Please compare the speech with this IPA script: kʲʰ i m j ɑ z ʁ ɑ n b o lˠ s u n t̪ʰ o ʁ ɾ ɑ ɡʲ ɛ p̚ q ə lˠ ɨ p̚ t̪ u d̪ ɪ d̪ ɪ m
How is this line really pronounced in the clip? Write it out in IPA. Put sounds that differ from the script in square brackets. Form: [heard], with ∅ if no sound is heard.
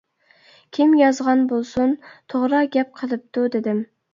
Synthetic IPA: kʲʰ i m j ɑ z ʁ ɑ n b o lˠ s u n t̪ʰ o ʁ ɾ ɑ ɡʲ ɛ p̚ [qʰ] ə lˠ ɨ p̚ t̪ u d̪ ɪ d̪ ɪ m